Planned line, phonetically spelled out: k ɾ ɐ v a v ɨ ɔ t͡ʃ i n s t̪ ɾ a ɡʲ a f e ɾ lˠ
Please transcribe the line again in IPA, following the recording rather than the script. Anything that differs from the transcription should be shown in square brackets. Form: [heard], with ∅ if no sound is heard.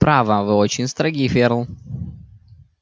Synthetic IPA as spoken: [p] ɾ [a] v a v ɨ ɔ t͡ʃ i n s t̪ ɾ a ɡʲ [i] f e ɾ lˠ